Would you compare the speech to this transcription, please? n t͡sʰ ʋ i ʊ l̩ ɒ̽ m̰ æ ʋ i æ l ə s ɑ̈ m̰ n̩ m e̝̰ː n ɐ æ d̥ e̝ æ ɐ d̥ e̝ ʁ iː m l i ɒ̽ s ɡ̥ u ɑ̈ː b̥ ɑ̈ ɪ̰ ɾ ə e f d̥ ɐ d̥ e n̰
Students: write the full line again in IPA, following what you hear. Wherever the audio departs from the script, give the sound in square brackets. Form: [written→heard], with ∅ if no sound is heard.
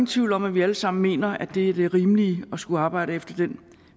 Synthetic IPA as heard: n t͡sʰ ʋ i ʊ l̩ ɒ̽ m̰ æ ʋ i æ l ə s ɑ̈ m̰ n̩ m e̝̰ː n ɐ æ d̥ e̝ æ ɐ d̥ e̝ ʁ iː m l i ɒ̽ s ɡ̥ u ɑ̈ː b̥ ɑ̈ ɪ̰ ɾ ə e f d̥ ɐ d̥ e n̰